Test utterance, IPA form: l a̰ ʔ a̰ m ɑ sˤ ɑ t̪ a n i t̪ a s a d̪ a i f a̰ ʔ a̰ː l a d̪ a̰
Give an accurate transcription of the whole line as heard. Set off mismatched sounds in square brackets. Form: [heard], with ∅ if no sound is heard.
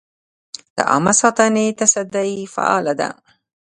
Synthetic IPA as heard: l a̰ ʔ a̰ m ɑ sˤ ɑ t̪ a n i t̪ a s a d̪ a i f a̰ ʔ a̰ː l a d̪ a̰

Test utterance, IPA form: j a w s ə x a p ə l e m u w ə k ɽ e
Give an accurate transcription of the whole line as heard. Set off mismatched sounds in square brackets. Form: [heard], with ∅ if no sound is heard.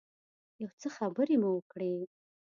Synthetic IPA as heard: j a w [t͡s] ə x a [b] ə [ɾ] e m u w ə k ɽ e

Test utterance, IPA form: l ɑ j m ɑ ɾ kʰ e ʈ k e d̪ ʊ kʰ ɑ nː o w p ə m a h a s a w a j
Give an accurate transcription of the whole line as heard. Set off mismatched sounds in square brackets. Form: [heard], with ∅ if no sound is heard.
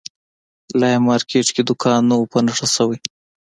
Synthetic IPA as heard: l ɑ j m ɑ ɾ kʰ e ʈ k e d̪ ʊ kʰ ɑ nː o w p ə [n] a [ʂ] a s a w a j

